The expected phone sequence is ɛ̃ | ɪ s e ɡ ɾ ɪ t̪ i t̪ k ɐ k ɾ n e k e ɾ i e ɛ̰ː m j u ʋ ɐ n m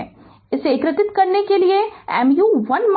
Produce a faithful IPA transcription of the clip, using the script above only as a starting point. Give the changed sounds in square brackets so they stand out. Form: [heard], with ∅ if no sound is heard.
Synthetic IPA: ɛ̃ | ɪ s e [k] ɾ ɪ t̪ [ɪ] t̪ k ɐ [∅] ɾ n e k e [l] i e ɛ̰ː m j u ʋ ɐ n m